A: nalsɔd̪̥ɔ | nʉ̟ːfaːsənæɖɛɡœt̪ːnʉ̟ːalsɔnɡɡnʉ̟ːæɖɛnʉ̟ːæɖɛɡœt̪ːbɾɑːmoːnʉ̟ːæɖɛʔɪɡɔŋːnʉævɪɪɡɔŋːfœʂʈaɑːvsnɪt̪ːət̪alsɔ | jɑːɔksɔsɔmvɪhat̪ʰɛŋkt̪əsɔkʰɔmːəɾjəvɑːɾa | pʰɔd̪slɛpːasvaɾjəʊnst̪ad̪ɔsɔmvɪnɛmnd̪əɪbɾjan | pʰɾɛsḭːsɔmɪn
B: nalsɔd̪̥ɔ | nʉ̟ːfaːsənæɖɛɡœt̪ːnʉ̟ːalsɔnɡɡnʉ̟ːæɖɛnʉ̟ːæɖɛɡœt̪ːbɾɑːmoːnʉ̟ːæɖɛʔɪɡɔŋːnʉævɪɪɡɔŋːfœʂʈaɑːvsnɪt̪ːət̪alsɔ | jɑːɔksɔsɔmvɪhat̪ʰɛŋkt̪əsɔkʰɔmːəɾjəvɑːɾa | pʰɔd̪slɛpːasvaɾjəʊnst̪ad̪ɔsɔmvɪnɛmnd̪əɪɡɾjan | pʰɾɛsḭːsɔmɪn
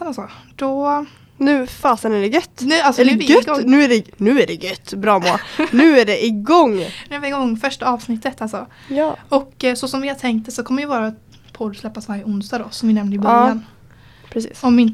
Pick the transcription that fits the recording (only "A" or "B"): A